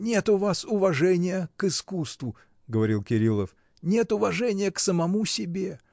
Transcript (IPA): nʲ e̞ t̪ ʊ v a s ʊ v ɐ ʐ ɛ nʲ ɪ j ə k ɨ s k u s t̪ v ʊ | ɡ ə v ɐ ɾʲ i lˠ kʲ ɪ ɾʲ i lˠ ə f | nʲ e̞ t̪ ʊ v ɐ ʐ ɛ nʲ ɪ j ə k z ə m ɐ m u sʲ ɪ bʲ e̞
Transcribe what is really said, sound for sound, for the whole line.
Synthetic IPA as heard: nʲ e̞ t̪ ʊ v a s ʊ v ɐ ʐ ɛ nʲ ɪ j ə k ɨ s k u s t̪ v ʊ | ɡ ə v ɐ ɾʲ i lˠ kʲ ɪ ɾʲ i lˠ ə f | nʲ e̞ t̪ ʊ v ɐ ʐ ɛ nʲ ɪ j ə k s ə m ɐ m u sʲ ɪ bʲ e̞